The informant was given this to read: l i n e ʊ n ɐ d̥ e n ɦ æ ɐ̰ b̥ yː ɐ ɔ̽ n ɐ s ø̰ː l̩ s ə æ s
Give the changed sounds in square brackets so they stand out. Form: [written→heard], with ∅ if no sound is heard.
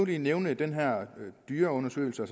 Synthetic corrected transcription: l i n e ʊ n [ɐ→ə] d̥ e n ɦ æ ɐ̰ [b̥→d̥] yː ɐ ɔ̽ n ɐ s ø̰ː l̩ s ə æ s